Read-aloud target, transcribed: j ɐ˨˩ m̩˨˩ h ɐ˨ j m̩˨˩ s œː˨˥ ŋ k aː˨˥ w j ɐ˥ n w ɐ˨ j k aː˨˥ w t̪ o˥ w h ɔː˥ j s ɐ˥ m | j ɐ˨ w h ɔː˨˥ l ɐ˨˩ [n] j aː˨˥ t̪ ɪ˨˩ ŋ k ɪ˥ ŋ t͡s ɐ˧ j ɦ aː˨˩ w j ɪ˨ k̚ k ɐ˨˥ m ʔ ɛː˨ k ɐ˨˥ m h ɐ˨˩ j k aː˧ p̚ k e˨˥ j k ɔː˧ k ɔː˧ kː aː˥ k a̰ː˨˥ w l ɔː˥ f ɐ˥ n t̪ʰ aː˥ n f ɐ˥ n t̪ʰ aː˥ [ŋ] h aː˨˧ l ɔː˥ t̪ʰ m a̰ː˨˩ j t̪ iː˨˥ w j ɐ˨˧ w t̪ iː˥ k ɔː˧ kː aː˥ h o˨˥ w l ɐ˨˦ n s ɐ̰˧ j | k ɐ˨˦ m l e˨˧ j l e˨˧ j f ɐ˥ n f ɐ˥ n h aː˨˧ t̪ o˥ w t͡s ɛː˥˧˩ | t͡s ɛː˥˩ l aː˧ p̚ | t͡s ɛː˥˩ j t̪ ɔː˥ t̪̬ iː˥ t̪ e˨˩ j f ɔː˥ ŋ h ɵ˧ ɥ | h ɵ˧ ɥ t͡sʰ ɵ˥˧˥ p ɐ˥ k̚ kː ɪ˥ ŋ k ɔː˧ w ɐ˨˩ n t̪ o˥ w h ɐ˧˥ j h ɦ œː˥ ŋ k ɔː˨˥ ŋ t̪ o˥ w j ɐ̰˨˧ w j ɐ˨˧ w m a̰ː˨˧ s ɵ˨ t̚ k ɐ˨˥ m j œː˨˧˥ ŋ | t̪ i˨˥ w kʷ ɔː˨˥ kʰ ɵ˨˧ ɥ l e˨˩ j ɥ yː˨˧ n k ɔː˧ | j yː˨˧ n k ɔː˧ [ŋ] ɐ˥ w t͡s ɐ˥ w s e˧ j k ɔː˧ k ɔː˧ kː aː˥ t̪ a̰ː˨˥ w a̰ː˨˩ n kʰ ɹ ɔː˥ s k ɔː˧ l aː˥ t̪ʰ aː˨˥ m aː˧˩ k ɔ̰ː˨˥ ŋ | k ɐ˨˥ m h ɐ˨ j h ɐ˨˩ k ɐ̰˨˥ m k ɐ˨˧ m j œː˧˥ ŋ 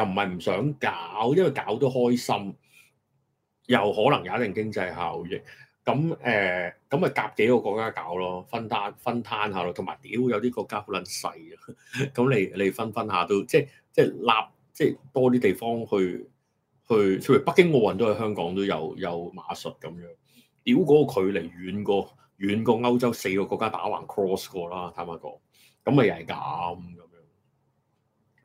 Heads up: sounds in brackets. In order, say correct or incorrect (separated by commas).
incorrect, incorrect, correct